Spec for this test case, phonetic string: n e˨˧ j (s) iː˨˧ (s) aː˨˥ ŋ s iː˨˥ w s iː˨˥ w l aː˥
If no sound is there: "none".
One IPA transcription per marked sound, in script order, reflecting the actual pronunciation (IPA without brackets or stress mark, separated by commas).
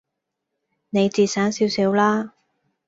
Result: t͡s, s